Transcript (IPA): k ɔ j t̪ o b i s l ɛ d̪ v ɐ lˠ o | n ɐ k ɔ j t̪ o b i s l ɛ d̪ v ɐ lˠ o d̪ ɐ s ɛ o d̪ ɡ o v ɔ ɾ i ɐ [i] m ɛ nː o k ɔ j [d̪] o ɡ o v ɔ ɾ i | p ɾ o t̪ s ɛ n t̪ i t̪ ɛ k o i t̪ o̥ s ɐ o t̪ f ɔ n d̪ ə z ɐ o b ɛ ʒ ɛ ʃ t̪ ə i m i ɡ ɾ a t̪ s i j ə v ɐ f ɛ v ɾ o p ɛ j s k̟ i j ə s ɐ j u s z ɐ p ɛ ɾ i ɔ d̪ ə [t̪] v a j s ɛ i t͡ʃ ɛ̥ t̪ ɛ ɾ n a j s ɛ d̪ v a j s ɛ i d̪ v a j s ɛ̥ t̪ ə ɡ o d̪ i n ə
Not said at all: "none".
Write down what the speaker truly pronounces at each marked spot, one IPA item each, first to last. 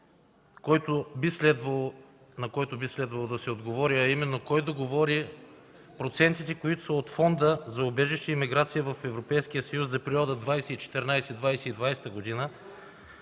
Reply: i, d̪, d̪

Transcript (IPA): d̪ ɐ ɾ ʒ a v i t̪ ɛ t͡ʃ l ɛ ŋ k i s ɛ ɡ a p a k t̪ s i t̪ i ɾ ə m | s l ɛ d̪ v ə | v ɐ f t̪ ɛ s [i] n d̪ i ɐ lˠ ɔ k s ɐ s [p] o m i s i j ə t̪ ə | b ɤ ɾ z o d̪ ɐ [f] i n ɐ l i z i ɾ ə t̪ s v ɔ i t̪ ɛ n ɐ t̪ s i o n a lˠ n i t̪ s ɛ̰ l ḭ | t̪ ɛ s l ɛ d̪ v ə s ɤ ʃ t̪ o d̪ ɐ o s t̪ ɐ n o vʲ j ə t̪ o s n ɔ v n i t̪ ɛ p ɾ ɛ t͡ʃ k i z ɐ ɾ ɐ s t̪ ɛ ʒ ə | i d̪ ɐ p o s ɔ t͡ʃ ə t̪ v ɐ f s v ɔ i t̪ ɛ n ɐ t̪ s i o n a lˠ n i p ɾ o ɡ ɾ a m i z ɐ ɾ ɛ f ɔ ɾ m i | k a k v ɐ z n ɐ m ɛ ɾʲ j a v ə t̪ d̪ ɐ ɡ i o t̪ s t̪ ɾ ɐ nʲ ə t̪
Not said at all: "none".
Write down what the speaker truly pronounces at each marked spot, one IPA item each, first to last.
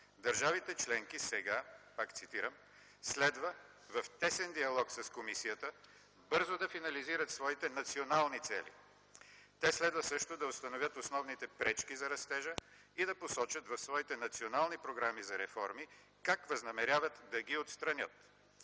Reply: ɛ, k, f

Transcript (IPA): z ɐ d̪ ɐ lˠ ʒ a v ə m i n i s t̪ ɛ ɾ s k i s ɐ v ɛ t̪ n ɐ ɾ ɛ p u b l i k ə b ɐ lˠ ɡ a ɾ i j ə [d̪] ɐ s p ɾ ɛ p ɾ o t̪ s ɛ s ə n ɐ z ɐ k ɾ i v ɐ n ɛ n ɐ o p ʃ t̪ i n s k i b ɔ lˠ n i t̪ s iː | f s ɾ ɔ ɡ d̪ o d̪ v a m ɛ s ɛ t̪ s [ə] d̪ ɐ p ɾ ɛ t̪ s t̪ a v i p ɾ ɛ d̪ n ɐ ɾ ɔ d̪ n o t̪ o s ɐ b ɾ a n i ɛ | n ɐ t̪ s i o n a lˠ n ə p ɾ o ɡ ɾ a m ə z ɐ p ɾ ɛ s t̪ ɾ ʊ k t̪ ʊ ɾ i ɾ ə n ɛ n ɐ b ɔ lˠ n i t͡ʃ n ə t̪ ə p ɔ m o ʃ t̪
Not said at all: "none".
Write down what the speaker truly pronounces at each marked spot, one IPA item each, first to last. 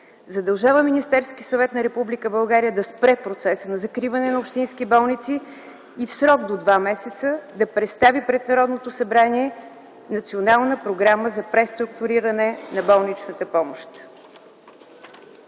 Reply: d̪, ə

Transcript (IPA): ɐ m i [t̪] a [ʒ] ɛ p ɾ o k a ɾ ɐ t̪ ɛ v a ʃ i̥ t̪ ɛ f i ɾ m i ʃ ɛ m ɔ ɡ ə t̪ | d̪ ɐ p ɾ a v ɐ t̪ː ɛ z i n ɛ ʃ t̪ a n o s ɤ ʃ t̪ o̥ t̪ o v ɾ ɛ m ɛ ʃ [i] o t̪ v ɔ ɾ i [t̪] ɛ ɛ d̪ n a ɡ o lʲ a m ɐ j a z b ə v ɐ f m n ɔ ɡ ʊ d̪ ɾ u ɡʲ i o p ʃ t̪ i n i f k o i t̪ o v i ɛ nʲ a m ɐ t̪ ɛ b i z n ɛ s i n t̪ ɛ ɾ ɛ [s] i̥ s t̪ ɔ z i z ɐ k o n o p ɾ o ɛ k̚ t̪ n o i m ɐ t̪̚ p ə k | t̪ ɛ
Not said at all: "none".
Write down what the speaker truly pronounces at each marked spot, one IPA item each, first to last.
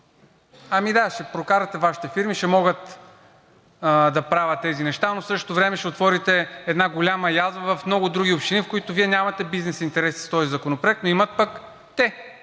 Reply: d̪, ʃ, ɛ, t̪, s

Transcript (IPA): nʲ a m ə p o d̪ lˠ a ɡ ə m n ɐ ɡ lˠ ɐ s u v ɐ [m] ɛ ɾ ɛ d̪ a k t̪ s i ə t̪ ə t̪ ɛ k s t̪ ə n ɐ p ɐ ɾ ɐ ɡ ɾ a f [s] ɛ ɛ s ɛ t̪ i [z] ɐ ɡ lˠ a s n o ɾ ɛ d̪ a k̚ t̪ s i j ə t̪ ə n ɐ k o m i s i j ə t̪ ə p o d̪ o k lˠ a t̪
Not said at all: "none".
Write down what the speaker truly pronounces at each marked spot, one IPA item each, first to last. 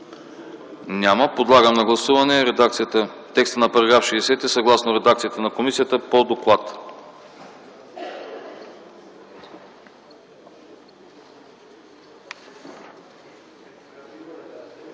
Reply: n, ʃ, s

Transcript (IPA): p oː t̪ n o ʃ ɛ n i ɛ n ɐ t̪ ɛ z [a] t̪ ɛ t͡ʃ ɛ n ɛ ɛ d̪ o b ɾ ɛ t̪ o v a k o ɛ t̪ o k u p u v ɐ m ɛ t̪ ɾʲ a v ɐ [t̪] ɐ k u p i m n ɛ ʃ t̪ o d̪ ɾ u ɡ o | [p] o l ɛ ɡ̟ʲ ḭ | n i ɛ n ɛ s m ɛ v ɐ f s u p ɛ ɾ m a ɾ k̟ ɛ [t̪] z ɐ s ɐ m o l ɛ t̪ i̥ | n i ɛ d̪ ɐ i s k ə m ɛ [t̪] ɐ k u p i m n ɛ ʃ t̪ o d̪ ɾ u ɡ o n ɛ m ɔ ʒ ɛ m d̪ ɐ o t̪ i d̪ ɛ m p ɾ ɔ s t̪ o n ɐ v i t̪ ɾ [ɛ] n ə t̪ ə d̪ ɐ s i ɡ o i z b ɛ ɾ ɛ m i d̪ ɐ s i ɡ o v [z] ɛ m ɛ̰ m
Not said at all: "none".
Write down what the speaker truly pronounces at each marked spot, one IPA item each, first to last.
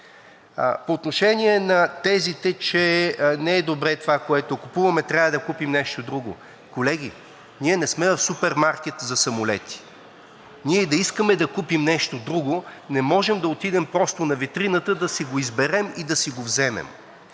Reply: i, d̪, k, t̪, d̪, i, z

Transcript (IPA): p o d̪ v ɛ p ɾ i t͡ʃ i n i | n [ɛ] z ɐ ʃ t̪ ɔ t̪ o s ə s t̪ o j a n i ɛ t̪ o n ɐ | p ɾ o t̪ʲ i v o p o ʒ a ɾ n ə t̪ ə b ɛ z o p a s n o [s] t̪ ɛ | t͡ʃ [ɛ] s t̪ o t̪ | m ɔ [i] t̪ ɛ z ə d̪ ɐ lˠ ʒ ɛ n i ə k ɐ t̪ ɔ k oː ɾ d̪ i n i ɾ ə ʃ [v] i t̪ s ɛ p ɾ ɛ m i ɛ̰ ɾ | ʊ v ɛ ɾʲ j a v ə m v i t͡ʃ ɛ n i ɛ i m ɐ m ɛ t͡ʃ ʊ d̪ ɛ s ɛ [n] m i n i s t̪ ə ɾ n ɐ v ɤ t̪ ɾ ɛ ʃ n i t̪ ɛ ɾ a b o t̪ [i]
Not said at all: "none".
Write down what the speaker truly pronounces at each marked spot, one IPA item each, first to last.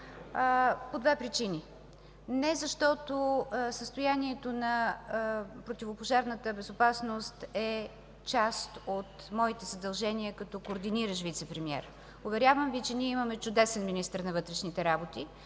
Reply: ɛ, s, a, i, v, n, i

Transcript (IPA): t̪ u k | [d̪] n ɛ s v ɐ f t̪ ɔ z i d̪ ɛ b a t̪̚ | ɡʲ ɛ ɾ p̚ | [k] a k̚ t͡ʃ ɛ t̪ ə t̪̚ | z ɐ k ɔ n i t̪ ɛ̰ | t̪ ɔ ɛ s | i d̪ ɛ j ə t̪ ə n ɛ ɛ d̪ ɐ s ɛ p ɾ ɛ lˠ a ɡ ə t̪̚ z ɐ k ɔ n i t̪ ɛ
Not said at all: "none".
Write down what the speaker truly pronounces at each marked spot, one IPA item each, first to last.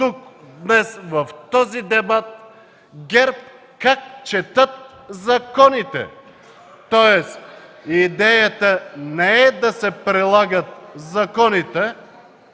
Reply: d̪, k

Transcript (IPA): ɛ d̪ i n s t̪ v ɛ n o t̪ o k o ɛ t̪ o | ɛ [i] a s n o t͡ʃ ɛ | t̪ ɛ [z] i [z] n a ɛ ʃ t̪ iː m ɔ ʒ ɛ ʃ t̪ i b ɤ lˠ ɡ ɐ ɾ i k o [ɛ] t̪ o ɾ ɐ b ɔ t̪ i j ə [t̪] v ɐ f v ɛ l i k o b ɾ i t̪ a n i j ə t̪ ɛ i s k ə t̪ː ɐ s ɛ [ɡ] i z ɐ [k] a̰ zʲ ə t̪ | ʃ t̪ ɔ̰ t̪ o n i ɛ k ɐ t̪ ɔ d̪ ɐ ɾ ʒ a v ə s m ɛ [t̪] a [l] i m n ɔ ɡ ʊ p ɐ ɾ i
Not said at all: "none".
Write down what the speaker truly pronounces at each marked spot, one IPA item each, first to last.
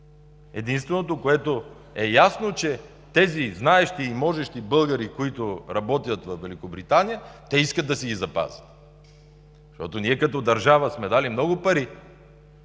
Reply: j, z, z, i, t̪, ɡ, p, d̪, l

